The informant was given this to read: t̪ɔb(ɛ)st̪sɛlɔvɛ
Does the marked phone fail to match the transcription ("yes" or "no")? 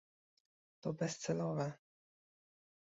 no